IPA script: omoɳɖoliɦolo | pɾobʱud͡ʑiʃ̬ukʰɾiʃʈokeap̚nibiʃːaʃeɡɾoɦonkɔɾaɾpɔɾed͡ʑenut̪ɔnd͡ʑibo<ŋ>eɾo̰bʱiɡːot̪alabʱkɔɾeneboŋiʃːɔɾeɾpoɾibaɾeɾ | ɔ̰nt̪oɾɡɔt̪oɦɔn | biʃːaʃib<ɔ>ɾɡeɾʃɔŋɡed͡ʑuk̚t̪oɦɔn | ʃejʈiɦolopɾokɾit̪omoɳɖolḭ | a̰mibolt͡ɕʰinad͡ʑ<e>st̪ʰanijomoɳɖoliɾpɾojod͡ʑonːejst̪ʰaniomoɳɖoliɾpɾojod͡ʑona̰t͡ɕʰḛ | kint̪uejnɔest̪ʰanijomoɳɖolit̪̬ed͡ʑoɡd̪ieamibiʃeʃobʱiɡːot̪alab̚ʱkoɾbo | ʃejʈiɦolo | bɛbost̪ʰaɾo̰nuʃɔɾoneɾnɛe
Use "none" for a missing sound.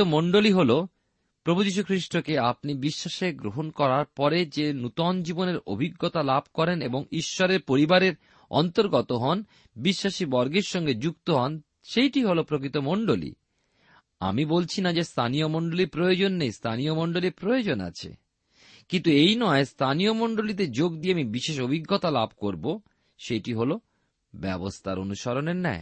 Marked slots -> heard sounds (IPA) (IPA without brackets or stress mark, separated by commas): n, ɔ, e